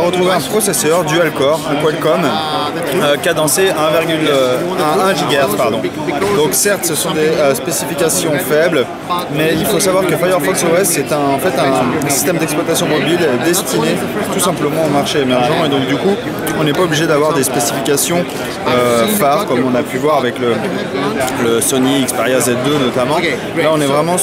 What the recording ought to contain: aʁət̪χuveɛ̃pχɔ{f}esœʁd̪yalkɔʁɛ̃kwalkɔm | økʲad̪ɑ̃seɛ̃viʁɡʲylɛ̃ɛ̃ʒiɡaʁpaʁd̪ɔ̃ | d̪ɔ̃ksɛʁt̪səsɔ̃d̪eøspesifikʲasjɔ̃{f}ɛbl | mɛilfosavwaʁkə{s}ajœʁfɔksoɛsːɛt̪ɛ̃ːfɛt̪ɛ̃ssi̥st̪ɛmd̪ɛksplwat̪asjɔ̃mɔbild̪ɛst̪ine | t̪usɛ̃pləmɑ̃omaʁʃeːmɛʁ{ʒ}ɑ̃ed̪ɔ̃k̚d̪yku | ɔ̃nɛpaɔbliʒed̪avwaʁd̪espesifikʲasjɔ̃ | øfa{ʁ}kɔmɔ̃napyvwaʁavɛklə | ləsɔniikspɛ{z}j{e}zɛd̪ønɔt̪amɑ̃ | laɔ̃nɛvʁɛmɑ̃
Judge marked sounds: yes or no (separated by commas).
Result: no, yes, no, yes, yes, no, no